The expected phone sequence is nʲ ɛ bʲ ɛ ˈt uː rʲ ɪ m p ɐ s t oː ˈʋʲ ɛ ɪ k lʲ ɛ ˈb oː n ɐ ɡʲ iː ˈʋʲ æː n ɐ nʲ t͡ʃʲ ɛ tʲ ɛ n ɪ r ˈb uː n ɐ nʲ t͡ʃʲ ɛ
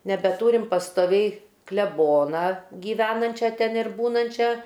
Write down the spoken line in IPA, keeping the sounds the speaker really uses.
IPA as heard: nʲ ɛ bʲ ɛ ˈt uː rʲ ɪ m p ɐ s t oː ˈʋʲ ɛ ɪ k lʲ ɛ ˈb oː n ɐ ɡʲ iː ˈʋʲ æː n ɐ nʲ t͡ʃʲ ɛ tʲ ɛ n ɪ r ˈb uː n ɐ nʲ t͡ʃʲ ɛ